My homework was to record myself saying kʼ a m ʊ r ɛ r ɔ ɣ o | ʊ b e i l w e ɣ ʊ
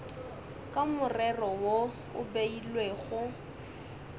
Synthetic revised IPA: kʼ a m ʊ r ɛ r ɔ w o | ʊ b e i l w e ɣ ʊ